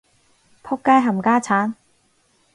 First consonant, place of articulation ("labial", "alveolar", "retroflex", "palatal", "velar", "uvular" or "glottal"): labial